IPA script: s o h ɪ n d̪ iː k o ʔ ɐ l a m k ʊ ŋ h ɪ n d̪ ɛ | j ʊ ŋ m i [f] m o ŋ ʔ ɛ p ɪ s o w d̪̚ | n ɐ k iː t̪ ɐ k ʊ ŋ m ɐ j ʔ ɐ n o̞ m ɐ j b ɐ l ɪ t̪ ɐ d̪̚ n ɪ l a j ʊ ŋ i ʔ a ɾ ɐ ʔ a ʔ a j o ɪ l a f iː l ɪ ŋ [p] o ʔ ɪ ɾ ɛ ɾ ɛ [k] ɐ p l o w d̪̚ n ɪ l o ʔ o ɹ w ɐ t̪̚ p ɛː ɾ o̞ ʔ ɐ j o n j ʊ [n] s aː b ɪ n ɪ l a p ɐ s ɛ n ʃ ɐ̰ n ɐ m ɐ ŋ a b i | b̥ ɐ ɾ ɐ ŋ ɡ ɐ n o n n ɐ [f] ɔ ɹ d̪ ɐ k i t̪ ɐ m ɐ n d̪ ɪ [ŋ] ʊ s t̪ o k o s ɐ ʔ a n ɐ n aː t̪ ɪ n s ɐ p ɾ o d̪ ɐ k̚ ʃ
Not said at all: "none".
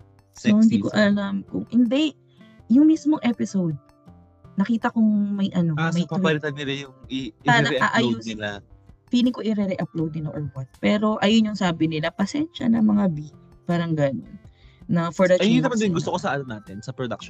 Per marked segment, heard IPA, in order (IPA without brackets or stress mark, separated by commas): s, k, ʔ, ŋ, f, ɡ